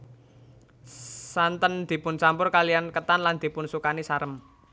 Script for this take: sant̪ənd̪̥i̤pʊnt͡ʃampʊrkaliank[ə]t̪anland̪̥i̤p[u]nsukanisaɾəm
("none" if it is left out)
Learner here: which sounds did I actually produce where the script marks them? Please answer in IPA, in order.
ə, ʊ

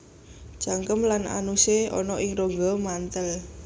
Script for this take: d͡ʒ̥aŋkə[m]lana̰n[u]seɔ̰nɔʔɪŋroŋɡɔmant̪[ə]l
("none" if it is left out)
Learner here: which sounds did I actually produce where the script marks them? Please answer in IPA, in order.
m, u, ə

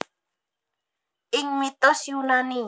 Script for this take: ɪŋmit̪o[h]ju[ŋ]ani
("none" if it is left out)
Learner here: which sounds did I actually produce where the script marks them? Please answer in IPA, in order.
s, n

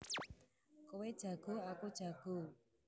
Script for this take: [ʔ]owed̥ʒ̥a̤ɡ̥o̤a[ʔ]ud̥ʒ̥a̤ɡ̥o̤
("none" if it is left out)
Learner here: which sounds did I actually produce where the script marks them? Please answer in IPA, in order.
k, k

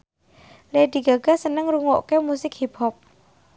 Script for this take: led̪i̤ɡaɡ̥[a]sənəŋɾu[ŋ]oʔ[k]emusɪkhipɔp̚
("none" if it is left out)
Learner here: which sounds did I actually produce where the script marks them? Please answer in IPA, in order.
a, ŋ, k

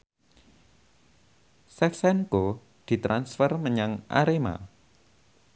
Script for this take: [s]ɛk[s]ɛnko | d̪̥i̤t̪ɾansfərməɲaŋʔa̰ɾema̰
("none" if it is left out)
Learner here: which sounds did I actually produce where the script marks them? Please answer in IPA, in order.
s, s

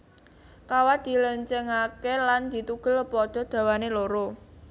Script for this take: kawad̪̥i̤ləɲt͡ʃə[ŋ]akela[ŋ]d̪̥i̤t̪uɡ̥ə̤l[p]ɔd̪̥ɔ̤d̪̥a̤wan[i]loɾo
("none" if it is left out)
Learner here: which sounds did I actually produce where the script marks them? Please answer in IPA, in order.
ŋ, n, p, e

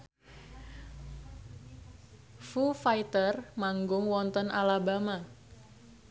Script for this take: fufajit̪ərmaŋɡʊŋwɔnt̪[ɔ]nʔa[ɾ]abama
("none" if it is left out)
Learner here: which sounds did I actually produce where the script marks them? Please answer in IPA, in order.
ɔ, l

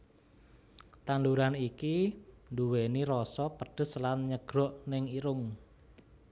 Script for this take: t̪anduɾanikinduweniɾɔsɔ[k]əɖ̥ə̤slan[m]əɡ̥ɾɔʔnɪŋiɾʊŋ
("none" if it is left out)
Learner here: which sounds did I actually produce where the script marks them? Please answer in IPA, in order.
p, ɲ

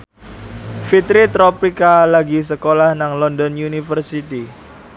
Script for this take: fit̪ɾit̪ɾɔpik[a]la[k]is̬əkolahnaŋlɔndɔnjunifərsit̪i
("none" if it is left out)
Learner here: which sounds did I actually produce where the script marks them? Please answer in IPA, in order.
a, ɡ

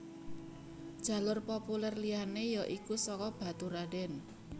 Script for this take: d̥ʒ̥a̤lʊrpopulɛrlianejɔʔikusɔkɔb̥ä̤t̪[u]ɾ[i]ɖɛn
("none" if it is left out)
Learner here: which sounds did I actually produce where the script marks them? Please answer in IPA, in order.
u, a

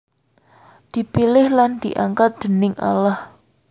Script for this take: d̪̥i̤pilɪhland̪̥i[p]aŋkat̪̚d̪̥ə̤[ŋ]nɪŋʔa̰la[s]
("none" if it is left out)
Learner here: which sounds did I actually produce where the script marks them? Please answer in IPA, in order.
ʔ, none, h

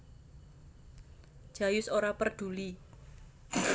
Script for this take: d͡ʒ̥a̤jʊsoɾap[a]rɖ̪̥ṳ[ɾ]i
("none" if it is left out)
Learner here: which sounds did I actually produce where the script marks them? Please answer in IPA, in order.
ə, l

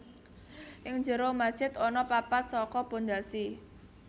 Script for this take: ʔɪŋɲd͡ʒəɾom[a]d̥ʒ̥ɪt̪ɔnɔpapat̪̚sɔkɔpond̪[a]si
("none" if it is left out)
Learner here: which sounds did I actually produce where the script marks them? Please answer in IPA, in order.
a, a

